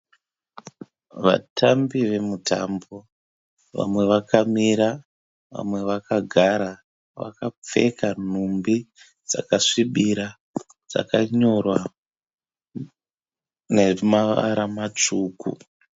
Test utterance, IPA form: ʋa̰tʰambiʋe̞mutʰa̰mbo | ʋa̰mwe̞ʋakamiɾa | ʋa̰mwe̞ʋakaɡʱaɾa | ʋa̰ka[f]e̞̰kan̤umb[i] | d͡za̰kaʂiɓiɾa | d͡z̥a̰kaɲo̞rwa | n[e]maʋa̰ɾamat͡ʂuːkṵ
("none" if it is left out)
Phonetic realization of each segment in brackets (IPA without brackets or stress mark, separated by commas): p͡f, i, e